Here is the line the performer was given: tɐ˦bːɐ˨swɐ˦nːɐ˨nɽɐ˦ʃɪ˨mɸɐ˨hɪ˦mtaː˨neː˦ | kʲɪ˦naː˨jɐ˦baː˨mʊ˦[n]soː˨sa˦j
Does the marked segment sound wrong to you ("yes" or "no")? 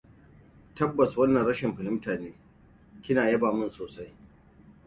no